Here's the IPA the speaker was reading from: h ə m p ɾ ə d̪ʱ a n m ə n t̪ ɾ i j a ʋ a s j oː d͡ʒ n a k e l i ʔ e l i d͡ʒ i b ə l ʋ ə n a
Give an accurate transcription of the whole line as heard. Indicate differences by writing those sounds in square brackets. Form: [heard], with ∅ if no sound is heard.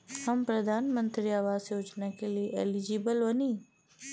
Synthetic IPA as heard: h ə m p ɾ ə d̪ʱ a n m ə n t̪ ɾ i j a ʋ a s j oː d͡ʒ n a k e l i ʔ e l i d͡ʒ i b ə l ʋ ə n [i]